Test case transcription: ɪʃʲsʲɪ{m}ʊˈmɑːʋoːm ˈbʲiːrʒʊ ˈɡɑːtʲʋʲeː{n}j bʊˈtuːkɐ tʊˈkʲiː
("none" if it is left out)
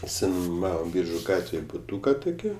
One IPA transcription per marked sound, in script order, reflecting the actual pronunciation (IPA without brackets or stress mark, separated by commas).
n, none